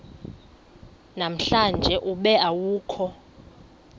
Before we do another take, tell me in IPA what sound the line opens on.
n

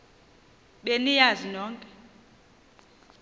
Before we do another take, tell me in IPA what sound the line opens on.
ɓ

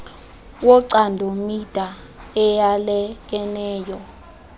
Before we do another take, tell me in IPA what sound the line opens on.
w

